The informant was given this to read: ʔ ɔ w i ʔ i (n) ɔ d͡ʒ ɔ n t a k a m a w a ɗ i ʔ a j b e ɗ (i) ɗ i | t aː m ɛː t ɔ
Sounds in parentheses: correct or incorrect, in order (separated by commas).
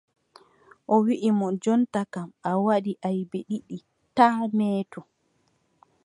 incorrect, correct